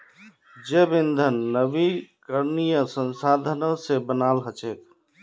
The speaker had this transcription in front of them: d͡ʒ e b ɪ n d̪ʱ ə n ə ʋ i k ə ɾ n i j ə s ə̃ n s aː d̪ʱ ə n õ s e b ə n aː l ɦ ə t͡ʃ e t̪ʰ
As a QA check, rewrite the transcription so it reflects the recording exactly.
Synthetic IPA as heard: d͡ʒ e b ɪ n d̪ʱ ə nː ə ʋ i k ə ɾ n i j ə s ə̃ n s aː d̪ʱ ə n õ s e b ə n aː l ɦ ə t͡ʃ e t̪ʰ